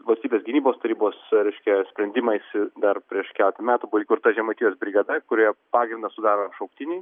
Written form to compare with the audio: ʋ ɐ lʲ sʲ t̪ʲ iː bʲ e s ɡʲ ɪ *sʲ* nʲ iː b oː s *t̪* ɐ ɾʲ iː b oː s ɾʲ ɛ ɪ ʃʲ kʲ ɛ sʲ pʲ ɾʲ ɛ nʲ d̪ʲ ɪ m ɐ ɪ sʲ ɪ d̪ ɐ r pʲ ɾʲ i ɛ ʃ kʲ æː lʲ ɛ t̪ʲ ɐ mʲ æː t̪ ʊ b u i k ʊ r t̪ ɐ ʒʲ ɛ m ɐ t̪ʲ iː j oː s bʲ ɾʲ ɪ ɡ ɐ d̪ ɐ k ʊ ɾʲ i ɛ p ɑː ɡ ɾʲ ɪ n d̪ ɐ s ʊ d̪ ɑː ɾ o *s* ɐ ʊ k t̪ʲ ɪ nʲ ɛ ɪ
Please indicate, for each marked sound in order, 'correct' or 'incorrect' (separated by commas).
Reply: incorrect, correct, incorrect